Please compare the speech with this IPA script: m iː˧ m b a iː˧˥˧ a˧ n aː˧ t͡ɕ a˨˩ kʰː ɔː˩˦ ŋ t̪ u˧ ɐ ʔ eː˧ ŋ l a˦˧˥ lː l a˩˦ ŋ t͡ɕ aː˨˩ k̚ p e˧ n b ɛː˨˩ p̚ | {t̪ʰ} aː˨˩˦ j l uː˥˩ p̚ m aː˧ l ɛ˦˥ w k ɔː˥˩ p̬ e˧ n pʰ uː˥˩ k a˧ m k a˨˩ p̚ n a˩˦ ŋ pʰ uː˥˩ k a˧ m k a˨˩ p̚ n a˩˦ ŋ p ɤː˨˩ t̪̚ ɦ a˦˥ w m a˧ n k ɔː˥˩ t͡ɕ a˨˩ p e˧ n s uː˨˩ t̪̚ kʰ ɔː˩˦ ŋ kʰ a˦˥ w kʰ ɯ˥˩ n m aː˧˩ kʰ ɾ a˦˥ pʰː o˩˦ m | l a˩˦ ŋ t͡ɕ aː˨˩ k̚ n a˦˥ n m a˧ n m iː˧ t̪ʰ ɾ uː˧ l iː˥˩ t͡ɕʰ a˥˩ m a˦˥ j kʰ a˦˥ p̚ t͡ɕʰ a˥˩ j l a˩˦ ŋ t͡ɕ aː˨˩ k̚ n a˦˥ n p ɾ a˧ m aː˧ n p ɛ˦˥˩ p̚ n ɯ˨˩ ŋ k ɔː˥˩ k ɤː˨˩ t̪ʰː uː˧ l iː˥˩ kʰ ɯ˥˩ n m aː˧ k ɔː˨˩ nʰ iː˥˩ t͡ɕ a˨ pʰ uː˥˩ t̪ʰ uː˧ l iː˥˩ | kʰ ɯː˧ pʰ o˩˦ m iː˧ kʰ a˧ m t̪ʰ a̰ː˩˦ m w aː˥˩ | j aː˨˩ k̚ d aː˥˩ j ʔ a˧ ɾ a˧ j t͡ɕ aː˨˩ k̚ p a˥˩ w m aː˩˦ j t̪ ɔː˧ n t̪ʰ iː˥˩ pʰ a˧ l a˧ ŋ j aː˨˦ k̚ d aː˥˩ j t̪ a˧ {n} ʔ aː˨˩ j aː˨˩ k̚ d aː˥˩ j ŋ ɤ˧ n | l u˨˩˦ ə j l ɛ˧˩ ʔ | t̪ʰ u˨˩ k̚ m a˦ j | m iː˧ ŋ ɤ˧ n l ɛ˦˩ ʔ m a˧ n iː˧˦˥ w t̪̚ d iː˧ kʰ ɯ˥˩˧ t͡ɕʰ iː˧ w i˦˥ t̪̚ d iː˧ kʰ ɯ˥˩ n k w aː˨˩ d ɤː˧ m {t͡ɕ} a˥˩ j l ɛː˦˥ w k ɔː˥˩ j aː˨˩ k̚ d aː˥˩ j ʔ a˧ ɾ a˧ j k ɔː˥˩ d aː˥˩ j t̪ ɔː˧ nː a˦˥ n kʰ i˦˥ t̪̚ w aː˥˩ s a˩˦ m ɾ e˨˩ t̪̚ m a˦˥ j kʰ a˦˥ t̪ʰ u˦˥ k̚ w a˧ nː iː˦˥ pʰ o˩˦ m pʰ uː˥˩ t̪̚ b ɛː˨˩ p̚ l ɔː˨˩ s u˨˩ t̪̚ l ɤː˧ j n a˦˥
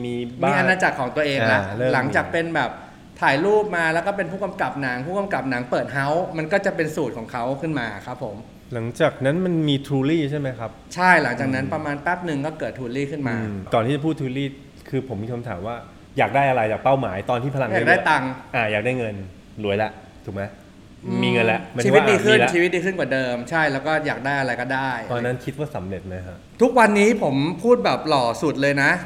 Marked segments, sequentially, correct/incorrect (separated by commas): correct, incorrect, incorrect